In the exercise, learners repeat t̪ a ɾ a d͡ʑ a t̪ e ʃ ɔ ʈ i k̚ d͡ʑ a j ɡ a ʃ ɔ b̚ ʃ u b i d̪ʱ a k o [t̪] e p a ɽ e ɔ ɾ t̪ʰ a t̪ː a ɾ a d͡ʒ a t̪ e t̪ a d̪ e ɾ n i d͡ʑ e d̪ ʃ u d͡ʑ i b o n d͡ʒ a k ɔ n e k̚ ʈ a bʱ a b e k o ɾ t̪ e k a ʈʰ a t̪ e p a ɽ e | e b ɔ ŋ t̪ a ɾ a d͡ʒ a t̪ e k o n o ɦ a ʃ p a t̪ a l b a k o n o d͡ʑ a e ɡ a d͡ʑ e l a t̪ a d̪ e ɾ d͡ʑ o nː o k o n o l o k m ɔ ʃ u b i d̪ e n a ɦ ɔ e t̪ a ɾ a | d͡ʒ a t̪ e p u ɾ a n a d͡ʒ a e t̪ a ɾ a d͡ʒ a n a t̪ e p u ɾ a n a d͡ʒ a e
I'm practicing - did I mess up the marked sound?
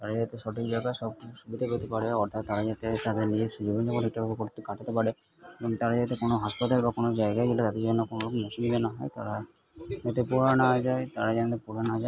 no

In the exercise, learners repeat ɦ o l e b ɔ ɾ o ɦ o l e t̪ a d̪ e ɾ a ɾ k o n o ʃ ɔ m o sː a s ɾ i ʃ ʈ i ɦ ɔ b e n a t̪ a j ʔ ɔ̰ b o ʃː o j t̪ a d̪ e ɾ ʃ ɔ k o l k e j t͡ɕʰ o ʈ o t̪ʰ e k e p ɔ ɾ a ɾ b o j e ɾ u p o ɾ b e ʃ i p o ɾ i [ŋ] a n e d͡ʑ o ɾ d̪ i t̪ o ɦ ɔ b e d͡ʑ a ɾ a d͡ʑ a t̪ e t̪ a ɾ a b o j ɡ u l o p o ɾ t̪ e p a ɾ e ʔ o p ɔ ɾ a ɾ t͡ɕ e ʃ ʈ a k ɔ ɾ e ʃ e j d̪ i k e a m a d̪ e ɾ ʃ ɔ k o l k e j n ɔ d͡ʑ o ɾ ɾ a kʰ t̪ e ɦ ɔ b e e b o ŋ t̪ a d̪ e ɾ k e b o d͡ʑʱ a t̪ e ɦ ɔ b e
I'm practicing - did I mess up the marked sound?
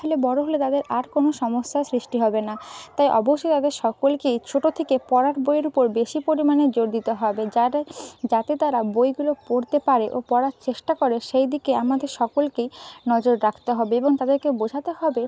yes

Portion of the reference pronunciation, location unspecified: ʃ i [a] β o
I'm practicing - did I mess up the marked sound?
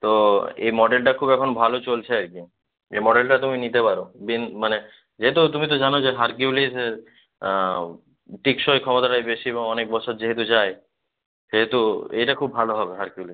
yes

